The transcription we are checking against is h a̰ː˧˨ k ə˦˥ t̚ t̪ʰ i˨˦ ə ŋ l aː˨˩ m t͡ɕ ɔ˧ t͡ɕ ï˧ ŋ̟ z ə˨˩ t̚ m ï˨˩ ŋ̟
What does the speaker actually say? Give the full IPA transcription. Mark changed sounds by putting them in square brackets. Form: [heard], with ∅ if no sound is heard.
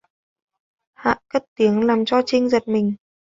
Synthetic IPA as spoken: h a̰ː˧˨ k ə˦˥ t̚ [t̪] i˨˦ ə ŋ l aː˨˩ m t͡ɕ ɔ˧ t͡ɕ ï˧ ŋ̟ z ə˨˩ t̚ m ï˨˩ ŋ̟